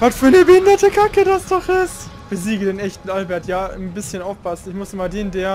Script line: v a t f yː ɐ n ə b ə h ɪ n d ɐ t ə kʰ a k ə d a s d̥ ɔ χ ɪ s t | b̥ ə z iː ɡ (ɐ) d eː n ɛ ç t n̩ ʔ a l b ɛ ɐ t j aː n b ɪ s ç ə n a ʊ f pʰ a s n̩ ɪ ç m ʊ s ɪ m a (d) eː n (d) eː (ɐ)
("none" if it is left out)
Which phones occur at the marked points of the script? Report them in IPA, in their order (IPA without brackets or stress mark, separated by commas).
ə, d, d, ɐ